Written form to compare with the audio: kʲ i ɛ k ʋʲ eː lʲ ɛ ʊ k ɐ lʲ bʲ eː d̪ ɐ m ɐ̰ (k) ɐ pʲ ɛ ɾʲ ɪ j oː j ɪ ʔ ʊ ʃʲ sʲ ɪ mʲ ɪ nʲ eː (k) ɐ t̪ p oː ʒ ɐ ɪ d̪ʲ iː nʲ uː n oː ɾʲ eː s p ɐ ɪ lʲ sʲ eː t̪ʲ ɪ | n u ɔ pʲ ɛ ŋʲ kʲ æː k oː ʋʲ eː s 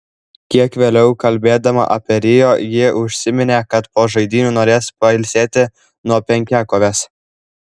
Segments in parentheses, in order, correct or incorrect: incorrect: ʔ, correct

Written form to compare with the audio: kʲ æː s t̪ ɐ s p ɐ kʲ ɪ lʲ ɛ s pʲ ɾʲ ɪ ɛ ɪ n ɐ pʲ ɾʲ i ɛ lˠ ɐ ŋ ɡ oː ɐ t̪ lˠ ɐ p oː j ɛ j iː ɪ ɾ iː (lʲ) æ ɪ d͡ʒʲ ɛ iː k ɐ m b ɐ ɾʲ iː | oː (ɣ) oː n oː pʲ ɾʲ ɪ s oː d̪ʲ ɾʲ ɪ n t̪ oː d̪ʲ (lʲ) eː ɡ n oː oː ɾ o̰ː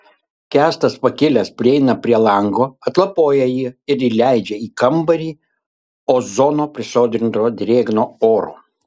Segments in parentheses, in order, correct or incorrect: correct, incorrect: z, incorrect: ɾʲ

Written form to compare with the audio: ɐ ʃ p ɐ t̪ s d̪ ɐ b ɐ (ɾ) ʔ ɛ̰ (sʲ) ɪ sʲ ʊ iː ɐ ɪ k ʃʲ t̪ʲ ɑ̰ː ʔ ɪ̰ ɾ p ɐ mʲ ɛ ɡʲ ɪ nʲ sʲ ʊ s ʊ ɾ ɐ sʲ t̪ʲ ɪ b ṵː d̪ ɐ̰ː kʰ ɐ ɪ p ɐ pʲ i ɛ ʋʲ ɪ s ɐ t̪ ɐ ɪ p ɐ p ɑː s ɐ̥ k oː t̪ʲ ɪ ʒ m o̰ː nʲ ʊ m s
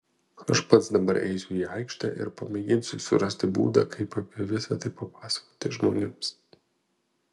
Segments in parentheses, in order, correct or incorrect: correct, incorrect: none

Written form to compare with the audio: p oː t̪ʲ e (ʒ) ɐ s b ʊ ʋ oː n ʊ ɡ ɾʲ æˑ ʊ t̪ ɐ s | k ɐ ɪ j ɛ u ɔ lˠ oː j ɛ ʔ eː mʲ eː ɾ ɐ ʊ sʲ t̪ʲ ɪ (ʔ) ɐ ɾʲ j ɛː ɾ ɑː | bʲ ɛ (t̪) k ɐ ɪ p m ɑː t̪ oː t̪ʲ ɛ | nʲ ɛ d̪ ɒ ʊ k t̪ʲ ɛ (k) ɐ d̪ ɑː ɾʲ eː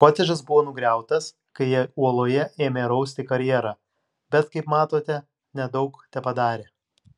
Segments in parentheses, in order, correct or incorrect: correct, incorrect: k, correct, incorrect: p

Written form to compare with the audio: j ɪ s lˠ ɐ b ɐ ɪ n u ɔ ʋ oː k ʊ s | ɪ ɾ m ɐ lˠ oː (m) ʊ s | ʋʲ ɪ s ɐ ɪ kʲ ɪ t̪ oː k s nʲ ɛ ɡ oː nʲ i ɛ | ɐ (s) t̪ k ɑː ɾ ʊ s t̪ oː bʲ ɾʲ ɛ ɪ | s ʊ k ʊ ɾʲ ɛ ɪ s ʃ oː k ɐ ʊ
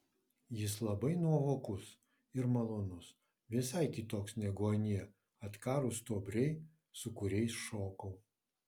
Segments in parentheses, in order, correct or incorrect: incorrect: n, incorrect: none

